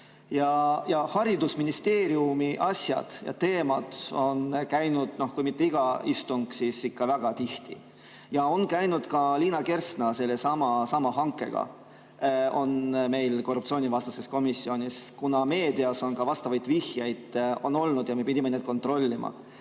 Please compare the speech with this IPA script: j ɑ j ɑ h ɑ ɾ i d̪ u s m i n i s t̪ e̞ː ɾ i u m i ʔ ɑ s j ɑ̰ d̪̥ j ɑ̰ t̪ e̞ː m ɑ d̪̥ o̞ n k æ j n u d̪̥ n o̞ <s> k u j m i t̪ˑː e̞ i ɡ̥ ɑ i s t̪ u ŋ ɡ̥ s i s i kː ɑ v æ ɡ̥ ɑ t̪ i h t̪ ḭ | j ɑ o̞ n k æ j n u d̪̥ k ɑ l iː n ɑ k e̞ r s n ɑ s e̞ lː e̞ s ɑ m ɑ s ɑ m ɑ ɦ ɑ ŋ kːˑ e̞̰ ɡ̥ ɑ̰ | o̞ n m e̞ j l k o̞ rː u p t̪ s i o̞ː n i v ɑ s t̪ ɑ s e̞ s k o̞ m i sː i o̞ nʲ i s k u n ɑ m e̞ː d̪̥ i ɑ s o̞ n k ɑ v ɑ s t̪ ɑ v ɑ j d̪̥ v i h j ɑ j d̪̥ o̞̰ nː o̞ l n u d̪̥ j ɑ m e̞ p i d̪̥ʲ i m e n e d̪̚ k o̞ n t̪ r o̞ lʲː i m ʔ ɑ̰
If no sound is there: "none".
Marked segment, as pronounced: h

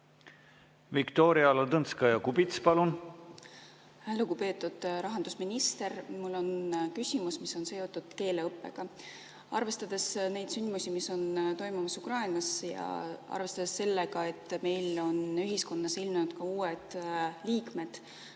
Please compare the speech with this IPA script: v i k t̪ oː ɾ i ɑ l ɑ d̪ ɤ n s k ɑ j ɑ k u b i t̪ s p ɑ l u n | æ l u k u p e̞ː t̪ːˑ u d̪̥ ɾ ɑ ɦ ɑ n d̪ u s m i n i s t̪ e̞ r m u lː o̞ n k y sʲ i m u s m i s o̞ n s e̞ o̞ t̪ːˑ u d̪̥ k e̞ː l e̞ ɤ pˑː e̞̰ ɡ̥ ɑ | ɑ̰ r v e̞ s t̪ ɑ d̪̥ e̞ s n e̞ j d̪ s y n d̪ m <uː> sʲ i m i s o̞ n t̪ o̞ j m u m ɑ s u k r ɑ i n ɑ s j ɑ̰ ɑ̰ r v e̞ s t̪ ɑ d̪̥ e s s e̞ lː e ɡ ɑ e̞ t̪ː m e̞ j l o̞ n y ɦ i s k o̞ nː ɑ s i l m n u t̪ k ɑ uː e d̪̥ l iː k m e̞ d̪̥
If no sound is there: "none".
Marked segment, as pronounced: u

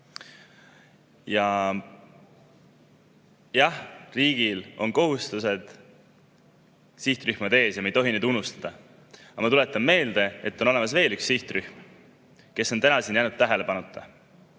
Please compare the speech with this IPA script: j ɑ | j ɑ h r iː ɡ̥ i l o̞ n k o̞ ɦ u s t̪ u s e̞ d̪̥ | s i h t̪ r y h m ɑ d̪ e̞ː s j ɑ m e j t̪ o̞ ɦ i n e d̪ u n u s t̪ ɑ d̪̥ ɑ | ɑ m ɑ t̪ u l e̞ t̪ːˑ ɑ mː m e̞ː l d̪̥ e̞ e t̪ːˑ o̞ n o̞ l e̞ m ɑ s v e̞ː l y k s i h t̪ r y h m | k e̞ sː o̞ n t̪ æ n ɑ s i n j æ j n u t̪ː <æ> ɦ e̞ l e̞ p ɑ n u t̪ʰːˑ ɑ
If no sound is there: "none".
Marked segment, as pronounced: æ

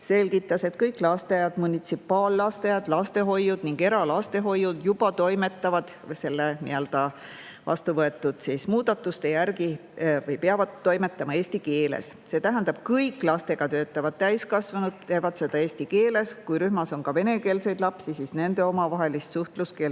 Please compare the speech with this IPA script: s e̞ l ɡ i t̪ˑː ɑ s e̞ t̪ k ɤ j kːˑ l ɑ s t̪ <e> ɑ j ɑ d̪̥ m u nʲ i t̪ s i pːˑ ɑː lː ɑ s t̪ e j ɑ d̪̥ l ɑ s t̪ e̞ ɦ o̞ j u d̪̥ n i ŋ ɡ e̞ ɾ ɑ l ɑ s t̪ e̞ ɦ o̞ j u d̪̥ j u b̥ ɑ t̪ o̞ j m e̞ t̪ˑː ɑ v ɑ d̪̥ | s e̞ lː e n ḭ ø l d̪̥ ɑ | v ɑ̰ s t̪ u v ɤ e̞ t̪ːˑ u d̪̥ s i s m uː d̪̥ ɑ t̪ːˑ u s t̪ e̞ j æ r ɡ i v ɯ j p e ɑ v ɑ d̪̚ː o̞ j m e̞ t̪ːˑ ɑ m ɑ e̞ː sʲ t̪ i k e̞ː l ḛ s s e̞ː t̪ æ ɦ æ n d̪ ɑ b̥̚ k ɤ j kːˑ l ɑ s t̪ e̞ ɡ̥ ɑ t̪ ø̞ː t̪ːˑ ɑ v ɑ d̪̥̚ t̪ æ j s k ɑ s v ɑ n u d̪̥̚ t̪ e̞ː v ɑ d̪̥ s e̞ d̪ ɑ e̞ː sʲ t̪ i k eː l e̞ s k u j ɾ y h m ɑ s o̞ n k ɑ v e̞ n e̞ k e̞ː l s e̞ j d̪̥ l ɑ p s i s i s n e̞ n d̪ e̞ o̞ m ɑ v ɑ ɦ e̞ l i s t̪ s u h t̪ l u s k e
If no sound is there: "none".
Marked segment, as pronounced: e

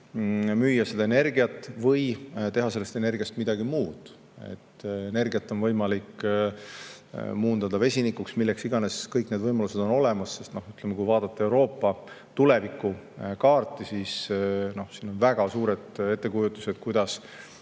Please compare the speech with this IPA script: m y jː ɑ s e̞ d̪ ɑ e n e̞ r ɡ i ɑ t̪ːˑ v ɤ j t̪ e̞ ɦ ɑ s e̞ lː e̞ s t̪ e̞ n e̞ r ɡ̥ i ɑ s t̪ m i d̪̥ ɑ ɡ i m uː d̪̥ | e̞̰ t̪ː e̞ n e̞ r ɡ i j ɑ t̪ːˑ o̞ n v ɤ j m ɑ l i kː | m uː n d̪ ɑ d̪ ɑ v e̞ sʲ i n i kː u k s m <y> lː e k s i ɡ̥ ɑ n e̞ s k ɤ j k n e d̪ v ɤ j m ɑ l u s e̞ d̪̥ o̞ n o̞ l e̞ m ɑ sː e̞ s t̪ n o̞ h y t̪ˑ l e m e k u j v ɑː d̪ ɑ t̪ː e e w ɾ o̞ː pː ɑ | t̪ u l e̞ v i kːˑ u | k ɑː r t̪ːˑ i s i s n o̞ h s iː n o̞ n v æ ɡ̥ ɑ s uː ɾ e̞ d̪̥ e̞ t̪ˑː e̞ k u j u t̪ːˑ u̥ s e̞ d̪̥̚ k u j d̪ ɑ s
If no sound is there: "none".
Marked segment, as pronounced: i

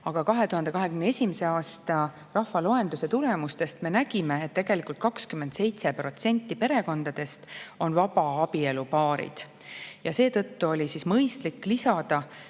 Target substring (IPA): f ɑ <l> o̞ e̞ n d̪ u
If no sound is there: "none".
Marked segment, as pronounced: l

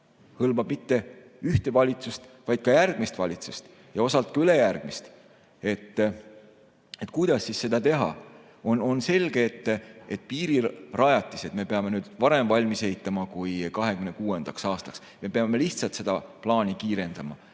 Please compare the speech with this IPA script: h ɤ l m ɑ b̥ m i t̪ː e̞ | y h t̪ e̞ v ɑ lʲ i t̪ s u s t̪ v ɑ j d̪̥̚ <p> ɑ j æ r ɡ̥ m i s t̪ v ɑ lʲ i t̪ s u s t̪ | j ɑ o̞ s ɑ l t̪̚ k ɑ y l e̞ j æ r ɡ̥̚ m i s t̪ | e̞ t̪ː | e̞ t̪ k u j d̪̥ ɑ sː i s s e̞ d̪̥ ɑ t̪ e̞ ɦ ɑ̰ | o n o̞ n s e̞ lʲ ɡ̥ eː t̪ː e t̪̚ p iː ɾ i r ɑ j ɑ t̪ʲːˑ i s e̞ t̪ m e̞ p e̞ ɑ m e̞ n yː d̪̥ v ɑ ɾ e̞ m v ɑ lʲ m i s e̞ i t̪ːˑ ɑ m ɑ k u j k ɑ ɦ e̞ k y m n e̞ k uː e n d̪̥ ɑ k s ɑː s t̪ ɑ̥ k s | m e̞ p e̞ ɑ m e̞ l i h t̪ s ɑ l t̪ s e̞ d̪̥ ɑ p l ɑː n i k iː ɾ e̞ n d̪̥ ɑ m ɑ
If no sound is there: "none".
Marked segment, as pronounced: k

